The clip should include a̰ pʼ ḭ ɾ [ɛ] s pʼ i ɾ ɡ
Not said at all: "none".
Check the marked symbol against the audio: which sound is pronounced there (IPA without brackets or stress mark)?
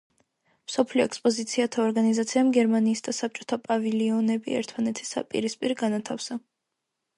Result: i